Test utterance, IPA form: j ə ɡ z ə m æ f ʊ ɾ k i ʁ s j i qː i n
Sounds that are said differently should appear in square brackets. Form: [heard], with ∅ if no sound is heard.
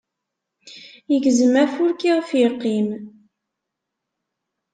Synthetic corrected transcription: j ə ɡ z ə m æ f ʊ ɾ k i ʁ [f] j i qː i [m]